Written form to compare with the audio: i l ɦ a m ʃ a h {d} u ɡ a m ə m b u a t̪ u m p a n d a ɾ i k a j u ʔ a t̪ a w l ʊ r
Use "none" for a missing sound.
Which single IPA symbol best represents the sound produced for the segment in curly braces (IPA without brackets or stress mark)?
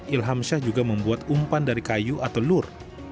d͡ʒ